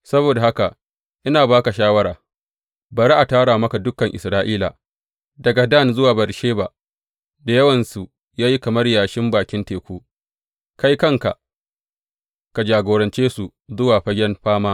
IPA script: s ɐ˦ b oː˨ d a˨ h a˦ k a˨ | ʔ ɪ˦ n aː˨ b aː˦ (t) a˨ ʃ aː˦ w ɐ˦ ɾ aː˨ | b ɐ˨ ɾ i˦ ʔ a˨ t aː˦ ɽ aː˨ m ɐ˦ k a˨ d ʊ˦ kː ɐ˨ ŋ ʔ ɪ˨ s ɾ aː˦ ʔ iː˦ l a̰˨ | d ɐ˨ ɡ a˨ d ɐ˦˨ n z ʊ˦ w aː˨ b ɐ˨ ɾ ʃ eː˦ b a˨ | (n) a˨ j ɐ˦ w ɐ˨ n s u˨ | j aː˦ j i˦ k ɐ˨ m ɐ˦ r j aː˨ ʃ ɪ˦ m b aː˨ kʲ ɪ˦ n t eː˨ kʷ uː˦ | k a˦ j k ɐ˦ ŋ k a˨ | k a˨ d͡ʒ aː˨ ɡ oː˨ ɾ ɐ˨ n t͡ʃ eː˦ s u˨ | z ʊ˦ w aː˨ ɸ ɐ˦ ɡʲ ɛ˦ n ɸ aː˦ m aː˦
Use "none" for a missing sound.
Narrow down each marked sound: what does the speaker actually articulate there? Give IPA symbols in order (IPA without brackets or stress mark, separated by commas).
k, d